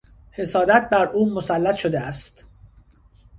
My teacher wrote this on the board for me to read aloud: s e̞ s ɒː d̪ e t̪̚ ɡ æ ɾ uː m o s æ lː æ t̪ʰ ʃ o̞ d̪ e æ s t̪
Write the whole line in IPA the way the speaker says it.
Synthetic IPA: h e̞ s ɒː d̪ æ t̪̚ b æ ɾ uː m o s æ lː æ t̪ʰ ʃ o̞ d̪ e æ s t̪